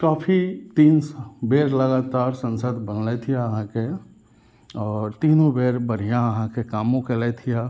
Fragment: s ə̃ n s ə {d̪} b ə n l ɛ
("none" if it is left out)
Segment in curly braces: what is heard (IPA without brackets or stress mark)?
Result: d̪